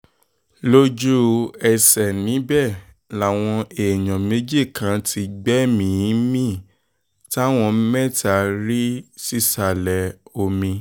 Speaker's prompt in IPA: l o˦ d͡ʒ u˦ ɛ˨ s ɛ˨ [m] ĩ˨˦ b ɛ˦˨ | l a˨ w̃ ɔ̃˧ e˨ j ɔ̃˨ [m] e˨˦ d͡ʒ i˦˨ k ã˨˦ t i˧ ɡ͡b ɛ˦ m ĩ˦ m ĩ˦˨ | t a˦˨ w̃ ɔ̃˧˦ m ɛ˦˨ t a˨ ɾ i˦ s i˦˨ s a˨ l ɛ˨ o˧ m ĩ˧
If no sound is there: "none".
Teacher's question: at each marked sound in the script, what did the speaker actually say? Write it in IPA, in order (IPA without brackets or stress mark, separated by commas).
n, m